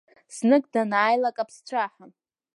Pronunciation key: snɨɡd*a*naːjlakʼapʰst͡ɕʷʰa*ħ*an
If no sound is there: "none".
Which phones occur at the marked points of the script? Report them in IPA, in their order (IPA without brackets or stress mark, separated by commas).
a, ħ